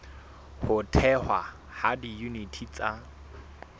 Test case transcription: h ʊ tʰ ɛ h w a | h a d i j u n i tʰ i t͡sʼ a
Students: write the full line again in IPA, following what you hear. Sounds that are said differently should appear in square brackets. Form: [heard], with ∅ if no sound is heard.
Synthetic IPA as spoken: h ʊ tʰ ɛ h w a | h a d i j u n i tʰ i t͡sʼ a